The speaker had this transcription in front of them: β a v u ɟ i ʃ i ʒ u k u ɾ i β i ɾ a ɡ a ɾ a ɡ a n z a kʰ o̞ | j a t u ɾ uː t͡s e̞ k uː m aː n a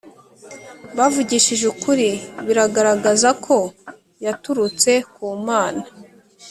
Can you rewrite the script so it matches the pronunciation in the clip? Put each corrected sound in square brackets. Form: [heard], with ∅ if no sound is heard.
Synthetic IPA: β a v u ɟ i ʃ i ʒ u k u ɾ i β i ɾ a ɡ a ɾ a ɡ a [∅] z a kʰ o̞ | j a t u ɾ [u] t͡s e̞ k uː m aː n a